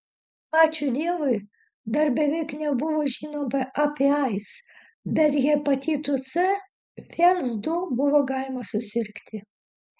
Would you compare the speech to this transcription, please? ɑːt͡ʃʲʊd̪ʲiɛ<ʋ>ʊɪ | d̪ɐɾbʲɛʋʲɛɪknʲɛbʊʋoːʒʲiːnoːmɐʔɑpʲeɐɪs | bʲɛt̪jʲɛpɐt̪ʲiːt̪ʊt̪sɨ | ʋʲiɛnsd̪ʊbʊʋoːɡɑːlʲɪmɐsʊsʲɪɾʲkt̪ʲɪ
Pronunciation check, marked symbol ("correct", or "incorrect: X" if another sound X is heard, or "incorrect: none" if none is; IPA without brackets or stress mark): correct